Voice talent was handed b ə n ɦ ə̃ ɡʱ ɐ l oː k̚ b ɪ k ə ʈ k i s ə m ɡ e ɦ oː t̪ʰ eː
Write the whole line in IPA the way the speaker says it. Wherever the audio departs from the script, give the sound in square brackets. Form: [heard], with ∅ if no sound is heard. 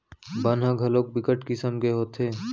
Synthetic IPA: b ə n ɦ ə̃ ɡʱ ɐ l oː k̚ b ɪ k ə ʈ k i s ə m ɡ e ɦ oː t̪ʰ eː